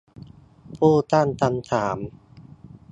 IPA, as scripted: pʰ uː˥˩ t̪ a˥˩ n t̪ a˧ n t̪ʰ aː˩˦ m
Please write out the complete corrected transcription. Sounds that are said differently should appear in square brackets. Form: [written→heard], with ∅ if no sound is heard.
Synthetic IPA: pʰ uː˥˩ t̪ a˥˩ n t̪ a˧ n t̪ʰ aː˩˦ m